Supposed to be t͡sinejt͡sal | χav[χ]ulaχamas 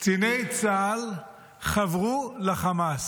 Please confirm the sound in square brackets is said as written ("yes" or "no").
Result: no